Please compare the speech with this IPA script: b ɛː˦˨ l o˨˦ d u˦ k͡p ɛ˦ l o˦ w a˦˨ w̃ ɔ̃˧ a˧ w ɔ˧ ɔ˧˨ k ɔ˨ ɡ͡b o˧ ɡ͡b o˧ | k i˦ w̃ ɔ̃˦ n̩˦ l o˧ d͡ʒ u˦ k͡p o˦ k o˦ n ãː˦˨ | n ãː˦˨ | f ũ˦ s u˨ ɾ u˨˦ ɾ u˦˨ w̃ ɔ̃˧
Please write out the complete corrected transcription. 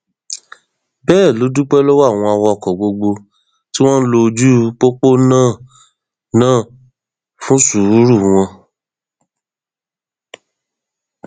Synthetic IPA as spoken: b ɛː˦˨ l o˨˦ d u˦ k͡p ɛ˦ l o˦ w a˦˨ w̃ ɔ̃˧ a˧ w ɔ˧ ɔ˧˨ k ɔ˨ ɡ͡b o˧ ɡ͡b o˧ | t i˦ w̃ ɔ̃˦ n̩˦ l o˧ d͡ʒ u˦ k͡p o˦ k͡p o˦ n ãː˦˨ | n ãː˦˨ | f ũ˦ s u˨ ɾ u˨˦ ɾ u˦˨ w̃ ɔ̃˧